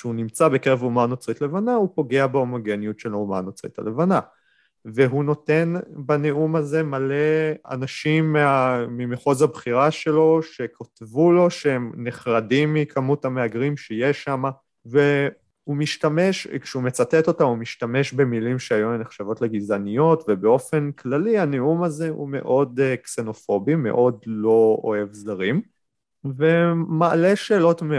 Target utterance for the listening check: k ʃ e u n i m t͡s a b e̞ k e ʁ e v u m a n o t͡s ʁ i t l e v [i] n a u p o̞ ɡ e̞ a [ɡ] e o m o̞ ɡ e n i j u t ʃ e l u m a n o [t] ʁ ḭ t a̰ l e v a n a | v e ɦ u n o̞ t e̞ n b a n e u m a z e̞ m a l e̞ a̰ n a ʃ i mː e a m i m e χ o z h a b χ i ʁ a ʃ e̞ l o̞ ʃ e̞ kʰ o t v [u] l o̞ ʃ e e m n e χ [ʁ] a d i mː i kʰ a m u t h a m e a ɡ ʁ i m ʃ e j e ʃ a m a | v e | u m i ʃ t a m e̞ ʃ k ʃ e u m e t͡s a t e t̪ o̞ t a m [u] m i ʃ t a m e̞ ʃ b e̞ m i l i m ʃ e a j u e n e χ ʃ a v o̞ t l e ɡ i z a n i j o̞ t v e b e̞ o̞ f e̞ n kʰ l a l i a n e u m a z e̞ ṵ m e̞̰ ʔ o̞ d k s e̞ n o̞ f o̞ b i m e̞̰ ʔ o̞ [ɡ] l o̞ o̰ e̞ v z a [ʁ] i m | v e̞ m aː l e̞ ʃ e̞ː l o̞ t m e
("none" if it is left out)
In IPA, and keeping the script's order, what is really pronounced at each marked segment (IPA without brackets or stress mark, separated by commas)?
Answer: a, b, t͡s, u, ʁ, u, d, ʁ